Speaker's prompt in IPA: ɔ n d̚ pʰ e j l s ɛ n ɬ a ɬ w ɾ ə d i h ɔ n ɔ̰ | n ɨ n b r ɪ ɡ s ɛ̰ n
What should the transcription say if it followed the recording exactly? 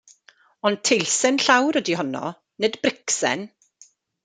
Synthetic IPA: ɔ n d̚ tʰ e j l s ɛ n ɬ a w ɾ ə d i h ɔ n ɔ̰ | n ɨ d b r ɪ k s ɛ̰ n